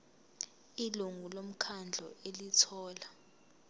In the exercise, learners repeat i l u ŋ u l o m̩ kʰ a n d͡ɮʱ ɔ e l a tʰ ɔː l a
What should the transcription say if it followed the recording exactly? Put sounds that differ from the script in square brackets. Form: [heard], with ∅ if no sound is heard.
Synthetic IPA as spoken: i l u ŋ u l o m̩ kʰ a n d͡ɮʱ ɔ e l [i] tʰ ɔː l a